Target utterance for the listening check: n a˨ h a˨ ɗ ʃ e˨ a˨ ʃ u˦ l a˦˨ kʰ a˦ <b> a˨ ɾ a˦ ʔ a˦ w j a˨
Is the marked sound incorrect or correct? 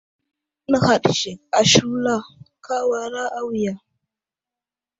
incorrect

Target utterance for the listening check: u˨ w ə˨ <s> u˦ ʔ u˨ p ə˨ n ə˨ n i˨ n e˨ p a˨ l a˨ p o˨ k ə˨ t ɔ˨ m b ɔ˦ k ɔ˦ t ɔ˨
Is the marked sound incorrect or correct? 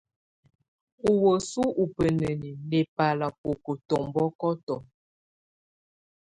correct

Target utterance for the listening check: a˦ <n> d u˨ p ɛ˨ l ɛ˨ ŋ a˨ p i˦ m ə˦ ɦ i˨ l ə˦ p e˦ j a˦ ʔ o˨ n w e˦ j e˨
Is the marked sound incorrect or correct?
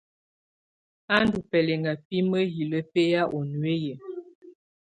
correct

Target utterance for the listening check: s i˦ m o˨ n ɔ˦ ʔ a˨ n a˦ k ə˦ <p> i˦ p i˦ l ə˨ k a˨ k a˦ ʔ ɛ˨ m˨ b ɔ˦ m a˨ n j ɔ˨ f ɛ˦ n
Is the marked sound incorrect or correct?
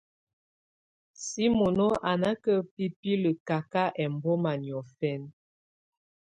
correct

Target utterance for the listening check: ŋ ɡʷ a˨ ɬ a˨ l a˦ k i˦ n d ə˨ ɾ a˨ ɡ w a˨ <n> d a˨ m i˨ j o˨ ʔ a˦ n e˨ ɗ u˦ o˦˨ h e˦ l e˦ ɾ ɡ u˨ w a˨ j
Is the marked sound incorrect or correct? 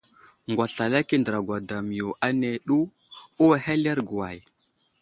incorrect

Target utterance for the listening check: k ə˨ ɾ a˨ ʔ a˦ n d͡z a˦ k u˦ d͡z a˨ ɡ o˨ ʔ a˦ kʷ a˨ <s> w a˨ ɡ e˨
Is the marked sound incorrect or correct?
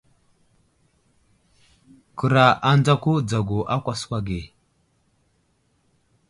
correct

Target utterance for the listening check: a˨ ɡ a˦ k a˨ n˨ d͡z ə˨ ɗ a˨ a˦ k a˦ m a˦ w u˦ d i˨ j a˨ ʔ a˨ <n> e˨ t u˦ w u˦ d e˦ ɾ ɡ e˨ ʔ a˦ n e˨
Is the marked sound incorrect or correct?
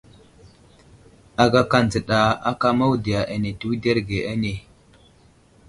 correct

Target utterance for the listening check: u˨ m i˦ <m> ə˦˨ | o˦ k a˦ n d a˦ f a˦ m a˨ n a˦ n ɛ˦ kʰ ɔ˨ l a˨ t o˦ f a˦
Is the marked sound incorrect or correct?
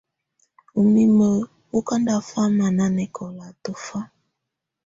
correct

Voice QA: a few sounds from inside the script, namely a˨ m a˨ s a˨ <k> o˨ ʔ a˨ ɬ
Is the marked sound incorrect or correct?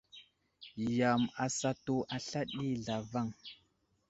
incorrect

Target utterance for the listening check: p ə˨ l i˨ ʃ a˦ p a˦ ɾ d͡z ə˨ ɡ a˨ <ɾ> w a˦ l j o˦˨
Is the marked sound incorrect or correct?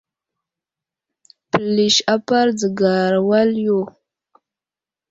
correct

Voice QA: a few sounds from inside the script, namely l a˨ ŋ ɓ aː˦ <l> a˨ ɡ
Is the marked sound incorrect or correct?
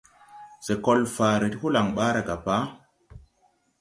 incorrect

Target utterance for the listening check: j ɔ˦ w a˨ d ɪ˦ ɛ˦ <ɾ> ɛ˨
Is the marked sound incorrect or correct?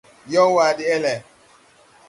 incorrect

